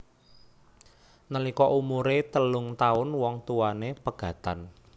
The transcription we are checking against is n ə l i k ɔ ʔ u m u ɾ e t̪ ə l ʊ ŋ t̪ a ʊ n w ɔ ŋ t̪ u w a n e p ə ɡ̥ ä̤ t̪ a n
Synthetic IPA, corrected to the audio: n ə l i k ɔ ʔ u m u ɾ e t̪ ə l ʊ ŋ t̪ a ʊ n w ɔ ŋ t̪ u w a n e p ə ɡ̥ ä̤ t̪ a n